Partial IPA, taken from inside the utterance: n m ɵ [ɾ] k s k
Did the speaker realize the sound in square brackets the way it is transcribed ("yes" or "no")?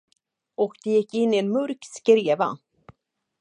yes